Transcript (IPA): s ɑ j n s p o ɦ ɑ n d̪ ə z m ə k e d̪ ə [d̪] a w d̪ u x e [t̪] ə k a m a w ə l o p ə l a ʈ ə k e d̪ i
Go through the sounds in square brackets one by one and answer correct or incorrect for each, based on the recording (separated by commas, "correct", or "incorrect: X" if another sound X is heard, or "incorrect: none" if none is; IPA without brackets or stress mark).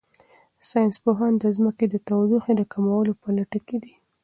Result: incorrect: t̪, incorrect: d̪